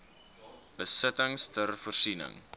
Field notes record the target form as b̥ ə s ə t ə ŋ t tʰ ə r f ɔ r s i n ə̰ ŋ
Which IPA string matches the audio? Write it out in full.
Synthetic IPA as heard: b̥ ə s ə t ə ŋ s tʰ ə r f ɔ r s i n ə̰ ŋ